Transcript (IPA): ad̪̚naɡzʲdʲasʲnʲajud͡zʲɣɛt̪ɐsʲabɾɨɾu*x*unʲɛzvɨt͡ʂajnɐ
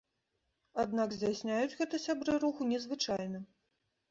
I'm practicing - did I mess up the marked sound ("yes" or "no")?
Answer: no